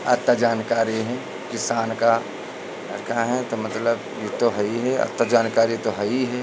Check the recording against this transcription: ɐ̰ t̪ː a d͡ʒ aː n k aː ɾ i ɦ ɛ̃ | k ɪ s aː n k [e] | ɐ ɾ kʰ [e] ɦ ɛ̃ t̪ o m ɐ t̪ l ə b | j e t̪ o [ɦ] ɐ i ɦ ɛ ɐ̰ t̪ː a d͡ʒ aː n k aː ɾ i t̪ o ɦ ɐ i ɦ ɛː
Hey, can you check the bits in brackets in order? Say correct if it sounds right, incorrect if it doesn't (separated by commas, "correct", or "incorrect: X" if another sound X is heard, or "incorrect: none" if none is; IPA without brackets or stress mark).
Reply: incorrect: a, incorrect: a, correct